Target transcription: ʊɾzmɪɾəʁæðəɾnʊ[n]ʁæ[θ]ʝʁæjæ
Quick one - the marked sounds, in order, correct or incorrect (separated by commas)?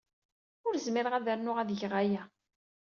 incorrect, incorrect